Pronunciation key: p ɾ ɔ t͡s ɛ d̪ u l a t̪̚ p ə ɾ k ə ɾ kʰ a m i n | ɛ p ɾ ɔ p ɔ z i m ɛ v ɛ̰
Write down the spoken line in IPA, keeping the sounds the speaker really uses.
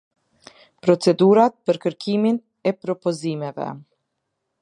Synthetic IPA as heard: p ɾ ɔ t͡s ɛ d̪ u ɾ a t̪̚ p ə ɾ k ə ɾ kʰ i m i n | ɛ p ɾ ɔ p ɔ z i m ɛ v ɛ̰